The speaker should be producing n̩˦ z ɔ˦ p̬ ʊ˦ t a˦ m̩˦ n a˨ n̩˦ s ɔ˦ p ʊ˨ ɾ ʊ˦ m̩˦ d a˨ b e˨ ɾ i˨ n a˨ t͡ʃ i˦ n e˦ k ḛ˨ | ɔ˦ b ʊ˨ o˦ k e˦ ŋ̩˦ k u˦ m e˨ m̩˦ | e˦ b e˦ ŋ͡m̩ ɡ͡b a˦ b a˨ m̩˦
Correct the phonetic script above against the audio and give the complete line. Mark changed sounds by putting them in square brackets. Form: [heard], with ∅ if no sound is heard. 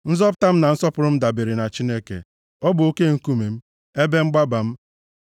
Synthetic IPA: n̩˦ z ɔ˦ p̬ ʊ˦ t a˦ m̩˦ n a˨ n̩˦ s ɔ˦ p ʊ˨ ɾ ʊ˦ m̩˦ d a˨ b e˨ ɾ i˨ n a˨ t͡ʃ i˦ n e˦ k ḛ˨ | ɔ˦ b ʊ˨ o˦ k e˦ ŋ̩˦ k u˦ m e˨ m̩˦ | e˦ b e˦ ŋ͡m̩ ɡ͡b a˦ b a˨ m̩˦